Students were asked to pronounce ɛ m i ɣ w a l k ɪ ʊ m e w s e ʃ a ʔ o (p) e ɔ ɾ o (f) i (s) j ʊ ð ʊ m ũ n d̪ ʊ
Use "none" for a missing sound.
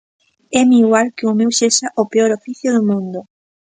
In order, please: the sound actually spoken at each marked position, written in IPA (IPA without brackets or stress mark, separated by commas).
p, f, θ